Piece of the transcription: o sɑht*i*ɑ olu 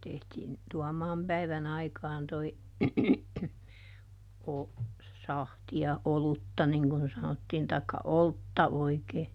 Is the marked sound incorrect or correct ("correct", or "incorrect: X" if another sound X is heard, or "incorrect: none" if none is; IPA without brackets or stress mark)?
correct